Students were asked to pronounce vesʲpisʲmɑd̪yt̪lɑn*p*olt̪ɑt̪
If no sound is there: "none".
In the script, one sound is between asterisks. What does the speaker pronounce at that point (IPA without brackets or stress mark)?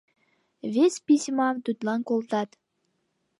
k